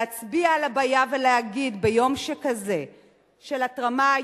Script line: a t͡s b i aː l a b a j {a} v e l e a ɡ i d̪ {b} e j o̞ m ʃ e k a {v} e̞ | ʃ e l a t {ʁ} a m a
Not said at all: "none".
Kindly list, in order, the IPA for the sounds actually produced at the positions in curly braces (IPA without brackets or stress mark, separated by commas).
a, b, z, ʁ